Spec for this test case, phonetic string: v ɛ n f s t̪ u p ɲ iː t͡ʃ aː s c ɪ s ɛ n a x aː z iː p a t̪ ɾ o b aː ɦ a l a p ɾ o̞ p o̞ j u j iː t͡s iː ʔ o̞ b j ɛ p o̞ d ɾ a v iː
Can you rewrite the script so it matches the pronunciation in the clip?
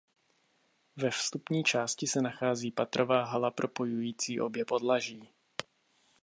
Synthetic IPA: v ɛ f s t̪ u p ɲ iː t͡ʃ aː s c ɪ s ɛ n a x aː z iː p a t̪ ɾ o v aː ɦ a l a p ɾ o̞ p o̞ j u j iː t͡s iː ʔ o̞ b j ɛ p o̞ d l a ʒ iː